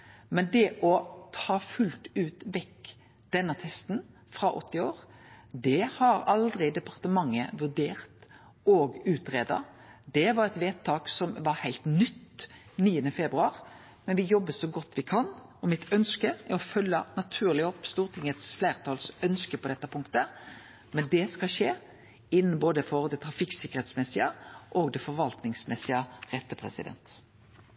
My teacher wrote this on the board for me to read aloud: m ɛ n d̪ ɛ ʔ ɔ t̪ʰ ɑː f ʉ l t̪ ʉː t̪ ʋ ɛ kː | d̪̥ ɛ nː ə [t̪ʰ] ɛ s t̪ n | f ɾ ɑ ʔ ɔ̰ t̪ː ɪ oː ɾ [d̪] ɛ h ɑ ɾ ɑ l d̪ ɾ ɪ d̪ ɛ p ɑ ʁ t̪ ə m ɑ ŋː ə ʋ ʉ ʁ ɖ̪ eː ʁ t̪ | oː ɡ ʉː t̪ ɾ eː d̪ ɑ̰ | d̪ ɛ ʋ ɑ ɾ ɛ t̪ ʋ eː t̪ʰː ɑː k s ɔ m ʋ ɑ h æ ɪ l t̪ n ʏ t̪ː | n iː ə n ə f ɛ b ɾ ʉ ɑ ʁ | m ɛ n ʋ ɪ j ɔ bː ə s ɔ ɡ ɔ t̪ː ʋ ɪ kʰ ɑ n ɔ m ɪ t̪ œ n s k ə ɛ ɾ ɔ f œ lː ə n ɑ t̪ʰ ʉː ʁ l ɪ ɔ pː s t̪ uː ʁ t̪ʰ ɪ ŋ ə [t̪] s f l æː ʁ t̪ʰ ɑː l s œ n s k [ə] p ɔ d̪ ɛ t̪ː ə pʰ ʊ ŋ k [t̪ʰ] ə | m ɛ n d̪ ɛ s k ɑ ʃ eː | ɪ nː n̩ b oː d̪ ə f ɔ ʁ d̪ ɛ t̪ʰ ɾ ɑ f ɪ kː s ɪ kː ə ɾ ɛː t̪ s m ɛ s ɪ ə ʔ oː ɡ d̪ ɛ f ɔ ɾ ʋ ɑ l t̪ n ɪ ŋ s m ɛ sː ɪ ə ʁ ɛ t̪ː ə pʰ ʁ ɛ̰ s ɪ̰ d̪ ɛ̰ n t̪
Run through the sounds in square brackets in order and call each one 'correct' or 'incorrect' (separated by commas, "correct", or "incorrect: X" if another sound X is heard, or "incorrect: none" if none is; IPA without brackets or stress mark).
correct, correct, correct, correct, incorrect: t̪